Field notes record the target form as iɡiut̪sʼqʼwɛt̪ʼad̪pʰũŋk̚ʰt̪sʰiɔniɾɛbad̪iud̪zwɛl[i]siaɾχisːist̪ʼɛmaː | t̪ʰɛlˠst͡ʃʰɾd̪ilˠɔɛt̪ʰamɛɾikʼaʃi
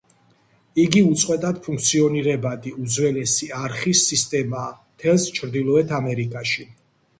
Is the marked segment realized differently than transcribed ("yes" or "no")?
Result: yes